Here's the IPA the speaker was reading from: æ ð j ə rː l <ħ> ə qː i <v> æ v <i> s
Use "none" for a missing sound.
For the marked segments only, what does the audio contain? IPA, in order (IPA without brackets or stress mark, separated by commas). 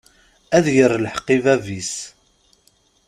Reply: ħ, v, i